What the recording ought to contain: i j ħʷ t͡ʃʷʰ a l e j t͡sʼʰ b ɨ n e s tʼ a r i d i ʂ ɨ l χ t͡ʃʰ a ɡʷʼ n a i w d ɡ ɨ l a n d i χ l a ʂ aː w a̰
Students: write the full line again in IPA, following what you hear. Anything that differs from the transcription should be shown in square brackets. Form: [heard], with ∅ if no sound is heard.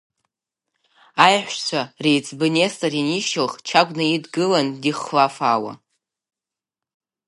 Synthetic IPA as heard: [a] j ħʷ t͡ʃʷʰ a [r] e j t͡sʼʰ b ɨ n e s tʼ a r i [n] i [ʃ] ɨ l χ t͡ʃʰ a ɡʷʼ n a i [∅] d ɡ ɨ l a n d i χ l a [f] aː w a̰